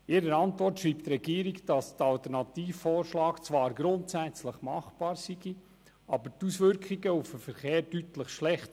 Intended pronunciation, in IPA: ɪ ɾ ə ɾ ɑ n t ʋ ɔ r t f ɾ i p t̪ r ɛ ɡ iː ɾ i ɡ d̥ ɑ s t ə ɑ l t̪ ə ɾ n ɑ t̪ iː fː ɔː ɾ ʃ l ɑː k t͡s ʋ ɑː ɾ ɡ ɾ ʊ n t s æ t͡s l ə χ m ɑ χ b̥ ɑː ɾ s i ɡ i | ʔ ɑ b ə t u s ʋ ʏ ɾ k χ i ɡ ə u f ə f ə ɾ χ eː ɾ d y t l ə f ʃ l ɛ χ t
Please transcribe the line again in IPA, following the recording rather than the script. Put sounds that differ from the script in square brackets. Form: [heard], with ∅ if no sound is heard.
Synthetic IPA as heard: ɪ ɾ ə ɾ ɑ n t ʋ ɔ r t [ʃ] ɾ [iː] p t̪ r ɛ ɡ iː ɾ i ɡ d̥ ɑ s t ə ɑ l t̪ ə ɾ n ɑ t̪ iː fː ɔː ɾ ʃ l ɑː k t͡s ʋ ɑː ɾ ɡ ɾ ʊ n t s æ t͡s l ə χ m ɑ χ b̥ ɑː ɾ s i ɡ i | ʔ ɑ b ə t u s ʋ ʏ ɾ k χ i ɡ ə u f ə f ə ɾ χ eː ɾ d y t l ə [χ] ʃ l ɛ χ t